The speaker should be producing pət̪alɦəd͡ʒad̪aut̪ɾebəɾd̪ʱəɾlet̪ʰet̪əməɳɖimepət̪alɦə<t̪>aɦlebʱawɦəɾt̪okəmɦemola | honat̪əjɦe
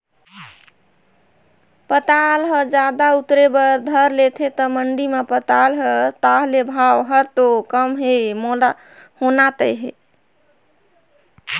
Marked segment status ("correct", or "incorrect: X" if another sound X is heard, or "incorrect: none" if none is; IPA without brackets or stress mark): correct